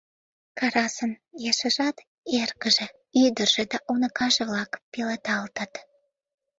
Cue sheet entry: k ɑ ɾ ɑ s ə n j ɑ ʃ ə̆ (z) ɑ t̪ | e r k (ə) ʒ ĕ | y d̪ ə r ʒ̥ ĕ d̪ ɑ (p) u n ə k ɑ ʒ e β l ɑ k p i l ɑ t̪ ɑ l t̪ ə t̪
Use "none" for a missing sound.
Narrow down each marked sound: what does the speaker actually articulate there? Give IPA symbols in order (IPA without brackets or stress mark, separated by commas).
ʒ, ə, ʔ